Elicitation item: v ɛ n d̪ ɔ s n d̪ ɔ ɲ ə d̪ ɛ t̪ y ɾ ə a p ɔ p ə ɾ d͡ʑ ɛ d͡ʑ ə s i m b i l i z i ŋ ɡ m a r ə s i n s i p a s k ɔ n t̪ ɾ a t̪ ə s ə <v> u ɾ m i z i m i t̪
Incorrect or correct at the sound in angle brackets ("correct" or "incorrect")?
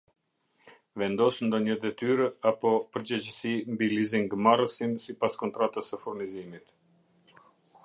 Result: incorrect